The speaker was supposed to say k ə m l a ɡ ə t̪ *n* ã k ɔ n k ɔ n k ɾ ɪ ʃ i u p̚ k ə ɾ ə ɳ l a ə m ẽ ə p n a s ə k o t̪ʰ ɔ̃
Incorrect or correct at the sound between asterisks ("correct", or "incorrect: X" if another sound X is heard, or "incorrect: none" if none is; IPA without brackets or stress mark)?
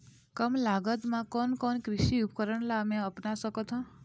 incorrect: m